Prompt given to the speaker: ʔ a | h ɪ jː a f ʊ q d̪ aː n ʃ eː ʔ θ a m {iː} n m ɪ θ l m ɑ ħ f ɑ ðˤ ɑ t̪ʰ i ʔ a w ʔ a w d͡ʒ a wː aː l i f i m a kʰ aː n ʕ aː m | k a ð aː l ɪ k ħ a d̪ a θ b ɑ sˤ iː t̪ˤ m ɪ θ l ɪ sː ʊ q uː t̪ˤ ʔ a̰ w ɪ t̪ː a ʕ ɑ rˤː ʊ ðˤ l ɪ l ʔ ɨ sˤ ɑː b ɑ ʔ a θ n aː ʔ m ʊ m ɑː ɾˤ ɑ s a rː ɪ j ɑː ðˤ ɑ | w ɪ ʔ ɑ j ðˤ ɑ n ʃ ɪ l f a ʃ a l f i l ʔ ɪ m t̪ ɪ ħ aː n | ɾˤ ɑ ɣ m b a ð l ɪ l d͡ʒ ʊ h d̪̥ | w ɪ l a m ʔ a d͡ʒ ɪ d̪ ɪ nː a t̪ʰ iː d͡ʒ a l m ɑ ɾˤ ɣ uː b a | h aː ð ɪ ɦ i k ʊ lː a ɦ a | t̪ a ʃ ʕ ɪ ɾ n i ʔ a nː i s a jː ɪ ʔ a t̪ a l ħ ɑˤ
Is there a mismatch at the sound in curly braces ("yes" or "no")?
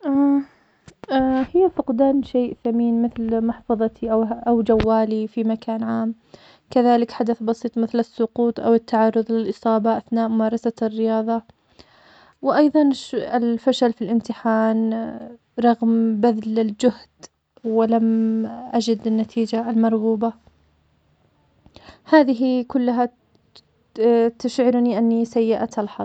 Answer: no